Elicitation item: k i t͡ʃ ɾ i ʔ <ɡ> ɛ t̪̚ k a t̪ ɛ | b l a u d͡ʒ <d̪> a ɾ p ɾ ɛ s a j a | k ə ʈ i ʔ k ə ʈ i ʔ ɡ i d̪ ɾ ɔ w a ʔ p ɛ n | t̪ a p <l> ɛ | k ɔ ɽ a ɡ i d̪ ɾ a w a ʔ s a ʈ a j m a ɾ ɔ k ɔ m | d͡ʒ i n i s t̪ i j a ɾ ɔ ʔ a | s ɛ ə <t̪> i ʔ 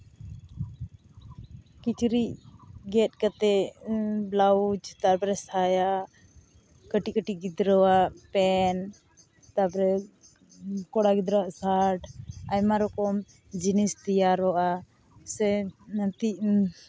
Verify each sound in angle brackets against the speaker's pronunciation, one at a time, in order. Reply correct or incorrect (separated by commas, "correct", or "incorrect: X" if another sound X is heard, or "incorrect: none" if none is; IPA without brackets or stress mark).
correct, incorrect: t̪, incorrect: ɾ, correct